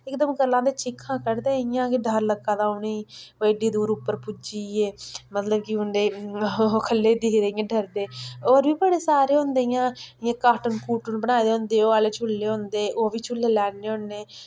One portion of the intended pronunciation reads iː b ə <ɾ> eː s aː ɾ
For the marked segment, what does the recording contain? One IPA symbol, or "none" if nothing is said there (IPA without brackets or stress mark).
ɽ